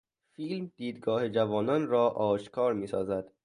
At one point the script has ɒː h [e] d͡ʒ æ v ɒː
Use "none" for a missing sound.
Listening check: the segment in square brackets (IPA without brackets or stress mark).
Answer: e